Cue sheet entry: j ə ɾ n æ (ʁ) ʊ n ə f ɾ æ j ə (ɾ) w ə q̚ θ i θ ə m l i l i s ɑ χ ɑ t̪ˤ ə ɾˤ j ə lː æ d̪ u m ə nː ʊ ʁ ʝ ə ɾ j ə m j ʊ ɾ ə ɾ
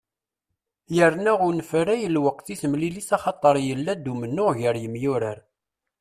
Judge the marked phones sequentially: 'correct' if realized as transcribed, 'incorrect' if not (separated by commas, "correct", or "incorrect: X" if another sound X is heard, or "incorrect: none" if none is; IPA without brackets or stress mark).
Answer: correct, incorrect: l